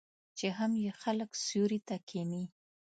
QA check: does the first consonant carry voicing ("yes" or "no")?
no